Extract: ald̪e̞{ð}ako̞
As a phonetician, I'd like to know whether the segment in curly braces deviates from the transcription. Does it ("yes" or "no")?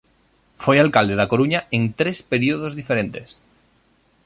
no